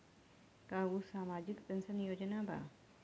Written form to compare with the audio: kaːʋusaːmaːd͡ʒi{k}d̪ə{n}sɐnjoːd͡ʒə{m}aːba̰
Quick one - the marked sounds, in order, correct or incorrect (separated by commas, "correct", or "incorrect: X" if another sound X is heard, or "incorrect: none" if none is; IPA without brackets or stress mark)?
correct, correct, incorrect: n